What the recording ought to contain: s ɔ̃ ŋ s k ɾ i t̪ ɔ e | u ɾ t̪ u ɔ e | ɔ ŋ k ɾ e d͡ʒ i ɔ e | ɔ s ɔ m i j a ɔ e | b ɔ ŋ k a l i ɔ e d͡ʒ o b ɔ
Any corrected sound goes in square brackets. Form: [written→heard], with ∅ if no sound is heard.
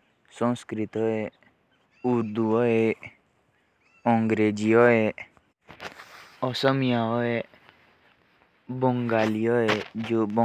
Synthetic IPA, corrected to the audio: s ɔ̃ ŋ s k ɾ i t̪ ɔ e | u ɾ [t̪→d̪] u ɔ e | ɔ ŋ [k→ɡ] ɾ e d͡ʒ i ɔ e | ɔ s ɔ m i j a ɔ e | b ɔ ŋ [k→ɡ] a l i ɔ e d͡ʒ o b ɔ

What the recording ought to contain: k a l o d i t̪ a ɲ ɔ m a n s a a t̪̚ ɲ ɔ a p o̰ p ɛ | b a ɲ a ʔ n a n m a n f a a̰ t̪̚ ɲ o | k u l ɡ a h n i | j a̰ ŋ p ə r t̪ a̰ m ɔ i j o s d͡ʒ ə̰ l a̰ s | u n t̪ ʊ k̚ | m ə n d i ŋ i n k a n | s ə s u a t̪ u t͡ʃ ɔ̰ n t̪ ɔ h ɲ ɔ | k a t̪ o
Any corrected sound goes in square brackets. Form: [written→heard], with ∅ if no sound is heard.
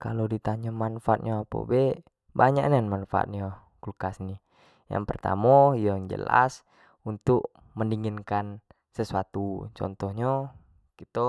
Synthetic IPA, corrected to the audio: k a l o d i t̪ a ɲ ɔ m a n [s→f] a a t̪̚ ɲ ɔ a p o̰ [p→b] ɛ | b a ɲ a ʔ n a n m a n f a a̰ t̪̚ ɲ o | k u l [ɡ→k] a [h→s] n i | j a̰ ŋ p ə r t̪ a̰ m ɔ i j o [s→∅] d͡ʒ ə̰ l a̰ s | u n t̪ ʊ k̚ | m ə n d i ŋ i n k a n | s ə s u a t̪ u t͡ʃ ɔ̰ n t̪ ɔ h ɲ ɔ | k [a→i] t̪ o

